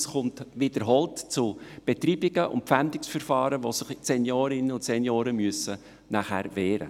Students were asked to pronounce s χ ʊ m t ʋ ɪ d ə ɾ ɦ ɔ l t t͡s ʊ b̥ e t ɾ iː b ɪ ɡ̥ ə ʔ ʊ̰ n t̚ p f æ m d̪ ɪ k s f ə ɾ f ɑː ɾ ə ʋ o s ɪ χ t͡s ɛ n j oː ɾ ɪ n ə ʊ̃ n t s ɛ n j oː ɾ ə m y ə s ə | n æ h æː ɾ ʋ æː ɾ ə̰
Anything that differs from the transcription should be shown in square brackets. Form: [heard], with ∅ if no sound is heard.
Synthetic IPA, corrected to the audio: s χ ʊ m t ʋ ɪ d ə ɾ ɦ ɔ l t t͡s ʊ b̥ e t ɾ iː b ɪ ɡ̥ ə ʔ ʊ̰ n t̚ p f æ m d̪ ɪ k s f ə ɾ f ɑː ɾ ə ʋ o s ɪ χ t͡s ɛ n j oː ɾ ɪ n ə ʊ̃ n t s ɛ n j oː ɾ ə m y ə s ə | n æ [χ] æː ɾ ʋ [ɛː] ɾ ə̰